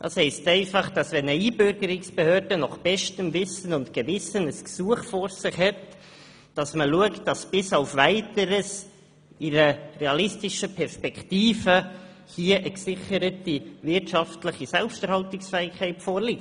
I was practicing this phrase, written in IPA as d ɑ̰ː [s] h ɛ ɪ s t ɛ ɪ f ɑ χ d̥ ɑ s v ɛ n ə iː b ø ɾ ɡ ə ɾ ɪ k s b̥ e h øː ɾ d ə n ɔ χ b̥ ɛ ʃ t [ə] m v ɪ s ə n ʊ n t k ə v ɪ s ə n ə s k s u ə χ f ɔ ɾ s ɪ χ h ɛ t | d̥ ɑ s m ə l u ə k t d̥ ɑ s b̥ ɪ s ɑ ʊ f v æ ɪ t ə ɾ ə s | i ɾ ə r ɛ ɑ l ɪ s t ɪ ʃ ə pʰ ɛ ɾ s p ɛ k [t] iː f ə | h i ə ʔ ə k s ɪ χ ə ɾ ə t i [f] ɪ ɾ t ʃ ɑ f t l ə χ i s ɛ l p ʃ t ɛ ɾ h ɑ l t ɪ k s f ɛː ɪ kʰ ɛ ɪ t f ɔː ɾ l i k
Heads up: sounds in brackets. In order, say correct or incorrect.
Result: correct, correct, correct, incorrect: v

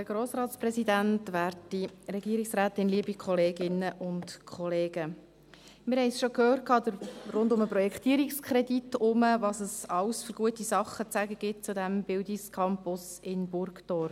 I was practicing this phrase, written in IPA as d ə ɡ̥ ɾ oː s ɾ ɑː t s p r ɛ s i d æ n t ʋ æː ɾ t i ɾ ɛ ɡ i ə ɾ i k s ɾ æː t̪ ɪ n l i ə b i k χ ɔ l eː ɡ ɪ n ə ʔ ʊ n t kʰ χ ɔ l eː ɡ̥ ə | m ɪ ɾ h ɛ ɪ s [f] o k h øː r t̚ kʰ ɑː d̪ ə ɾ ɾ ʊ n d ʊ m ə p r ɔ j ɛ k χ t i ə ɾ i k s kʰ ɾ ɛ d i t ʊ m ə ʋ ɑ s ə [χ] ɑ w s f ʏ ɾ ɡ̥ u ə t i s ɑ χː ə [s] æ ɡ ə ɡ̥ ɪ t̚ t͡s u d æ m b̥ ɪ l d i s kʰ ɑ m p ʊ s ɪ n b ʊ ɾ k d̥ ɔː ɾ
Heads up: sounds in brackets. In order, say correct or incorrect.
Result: incorrect: ʃ, incorrect: s, incorrect: t͡s

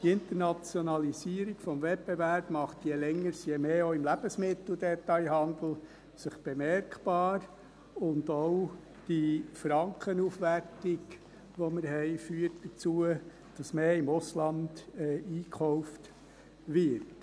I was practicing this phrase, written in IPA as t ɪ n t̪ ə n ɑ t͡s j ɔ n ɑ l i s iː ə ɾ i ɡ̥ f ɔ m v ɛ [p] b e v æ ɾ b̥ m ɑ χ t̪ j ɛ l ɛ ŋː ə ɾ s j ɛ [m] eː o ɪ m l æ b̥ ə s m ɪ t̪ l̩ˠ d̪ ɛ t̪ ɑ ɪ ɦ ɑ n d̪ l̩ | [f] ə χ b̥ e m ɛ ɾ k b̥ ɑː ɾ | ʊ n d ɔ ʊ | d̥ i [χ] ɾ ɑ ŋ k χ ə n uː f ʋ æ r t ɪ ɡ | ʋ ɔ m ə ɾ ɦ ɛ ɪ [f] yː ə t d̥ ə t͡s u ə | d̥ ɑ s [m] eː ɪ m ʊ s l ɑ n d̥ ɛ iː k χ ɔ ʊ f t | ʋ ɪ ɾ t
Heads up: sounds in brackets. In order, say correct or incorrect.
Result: correct, correct, incorrect: s, incorrect: f, correct, correct

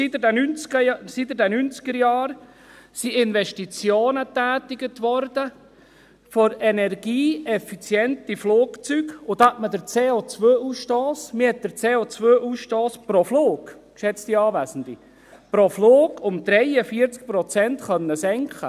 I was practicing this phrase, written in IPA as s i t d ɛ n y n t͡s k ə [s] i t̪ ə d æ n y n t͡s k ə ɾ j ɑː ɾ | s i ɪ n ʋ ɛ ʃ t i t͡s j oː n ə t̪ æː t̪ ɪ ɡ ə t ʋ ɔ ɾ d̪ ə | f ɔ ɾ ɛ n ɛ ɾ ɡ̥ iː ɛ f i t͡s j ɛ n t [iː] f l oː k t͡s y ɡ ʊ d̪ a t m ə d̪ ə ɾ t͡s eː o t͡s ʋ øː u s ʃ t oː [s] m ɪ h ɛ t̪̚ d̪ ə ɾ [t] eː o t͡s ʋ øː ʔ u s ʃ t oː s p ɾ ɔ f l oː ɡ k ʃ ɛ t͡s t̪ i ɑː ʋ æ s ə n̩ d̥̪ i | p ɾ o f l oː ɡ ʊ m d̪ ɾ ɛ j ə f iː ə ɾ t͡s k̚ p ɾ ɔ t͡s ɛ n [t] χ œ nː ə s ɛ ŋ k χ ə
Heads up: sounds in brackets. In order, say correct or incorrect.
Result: correct, incorrect: i, correct, incorrect: t͡s, correct

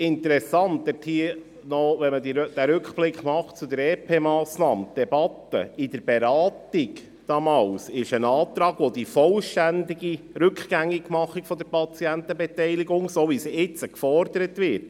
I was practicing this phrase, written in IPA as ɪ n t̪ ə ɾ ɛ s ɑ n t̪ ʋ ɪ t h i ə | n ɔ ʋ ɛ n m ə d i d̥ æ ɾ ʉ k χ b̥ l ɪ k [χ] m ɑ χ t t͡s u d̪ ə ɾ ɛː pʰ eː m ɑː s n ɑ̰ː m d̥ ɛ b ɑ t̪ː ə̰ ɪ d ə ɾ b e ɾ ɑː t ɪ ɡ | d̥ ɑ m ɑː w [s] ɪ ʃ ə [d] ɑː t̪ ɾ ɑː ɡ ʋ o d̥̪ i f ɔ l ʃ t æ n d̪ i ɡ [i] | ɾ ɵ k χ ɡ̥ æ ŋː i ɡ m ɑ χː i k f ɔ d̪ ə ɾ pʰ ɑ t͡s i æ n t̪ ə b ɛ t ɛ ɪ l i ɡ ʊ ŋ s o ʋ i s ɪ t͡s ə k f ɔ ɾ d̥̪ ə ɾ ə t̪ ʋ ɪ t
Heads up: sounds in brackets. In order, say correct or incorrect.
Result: correct, correct, incorrect: n, correct

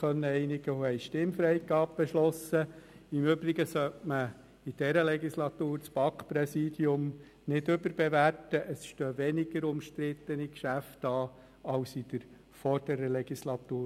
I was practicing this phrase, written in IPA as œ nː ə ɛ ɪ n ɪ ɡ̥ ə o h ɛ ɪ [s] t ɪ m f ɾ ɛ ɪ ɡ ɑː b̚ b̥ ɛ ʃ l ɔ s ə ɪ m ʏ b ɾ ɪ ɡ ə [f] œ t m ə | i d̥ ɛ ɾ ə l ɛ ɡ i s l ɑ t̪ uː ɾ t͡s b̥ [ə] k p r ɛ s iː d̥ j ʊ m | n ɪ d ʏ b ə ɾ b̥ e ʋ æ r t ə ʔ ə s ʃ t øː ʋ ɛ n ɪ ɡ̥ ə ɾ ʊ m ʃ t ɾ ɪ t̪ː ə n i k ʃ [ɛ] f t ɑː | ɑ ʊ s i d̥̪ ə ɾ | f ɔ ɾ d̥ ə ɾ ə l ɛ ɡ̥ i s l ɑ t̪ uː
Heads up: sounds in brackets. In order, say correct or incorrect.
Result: incorrect: ʃ, incorrect: s, incorrect: ɑ, incorrect: æ

